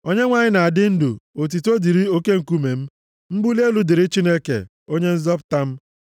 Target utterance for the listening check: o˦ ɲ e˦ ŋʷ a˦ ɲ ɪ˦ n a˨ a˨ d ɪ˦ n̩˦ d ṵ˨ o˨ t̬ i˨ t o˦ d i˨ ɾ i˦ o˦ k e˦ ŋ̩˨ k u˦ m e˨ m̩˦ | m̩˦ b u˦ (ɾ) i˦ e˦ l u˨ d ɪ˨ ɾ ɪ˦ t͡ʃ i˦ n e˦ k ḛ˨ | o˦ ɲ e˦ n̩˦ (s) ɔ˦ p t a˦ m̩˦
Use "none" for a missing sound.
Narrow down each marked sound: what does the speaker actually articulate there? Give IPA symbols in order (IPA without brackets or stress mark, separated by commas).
l, z